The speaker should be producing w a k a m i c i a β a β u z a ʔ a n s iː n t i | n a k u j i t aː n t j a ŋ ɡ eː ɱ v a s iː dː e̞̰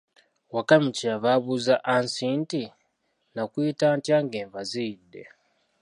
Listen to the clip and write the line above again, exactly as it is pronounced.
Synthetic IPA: w a k a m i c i a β a β u z a ʔ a n s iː n t i | n a k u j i t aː n t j a ŋ ɡ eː ɱ v a z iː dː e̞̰